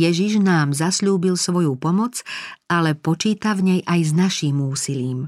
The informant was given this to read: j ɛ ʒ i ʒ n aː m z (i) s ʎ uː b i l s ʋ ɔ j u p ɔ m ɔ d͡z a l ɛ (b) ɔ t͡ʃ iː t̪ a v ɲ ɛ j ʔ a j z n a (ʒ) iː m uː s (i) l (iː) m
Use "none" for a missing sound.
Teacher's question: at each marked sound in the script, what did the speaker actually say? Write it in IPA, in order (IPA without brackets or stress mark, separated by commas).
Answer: a, p, ʃ, i, iː